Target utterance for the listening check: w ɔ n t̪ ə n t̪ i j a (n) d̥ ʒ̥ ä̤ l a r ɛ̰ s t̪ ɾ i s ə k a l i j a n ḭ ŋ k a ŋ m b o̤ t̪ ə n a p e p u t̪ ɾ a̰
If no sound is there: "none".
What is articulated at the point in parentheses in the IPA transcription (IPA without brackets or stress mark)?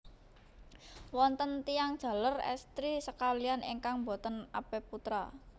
ŋ